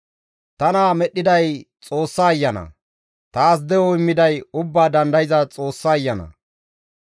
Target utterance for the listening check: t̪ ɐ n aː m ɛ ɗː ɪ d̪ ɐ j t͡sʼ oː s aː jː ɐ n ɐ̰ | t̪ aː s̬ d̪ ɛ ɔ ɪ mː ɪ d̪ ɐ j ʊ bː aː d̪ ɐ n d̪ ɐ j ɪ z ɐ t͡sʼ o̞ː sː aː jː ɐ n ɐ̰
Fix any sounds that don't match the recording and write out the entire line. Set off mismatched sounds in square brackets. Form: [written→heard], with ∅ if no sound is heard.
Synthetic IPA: t̪ ɐ n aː m ɛ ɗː ɪ d̪ ɐ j t͡sʼ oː [s→sː] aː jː ɐ n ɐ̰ | t̪ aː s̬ d̪ ɛ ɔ ɪ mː ɪ d̪ ɐ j ʊ bː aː d̪ ɐ n d̪ ɐ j ɪ z ɐ t͡sʼ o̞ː sː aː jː ɐ n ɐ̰